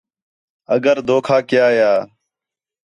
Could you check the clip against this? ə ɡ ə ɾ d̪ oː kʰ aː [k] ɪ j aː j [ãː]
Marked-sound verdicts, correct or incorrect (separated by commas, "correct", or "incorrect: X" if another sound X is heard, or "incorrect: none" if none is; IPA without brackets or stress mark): correct, incorrect: aː